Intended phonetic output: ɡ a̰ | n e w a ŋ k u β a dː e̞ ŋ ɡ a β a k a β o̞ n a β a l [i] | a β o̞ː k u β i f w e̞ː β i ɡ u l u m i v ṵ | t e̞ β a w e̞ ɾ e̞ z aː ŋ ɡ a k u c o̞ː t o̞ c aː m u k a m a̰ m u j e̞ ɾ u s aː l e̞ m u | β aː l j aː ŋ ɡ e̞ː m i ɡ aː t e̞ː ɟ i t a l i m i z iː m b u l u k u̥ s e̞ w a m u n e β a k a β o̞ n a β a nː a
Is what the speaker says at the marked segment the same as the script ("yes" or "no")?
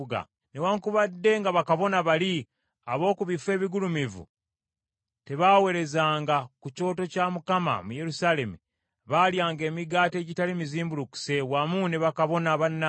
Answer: yes